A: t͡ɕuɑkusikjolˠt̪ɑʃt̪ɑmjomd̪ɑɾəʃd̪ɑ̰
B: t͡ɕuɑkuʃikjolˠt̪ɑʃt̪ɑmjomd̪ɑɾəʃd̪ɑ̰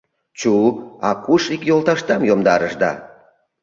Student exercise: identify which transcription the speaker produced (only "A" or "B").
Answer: B